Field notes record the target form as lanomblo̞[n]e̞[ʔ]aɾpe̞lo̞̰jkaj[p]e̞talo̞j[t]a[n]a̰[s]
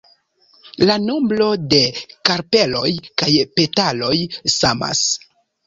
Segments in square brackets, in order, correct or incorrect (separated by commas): incorrect, incorrect, correct, incorrect, incorrect, correct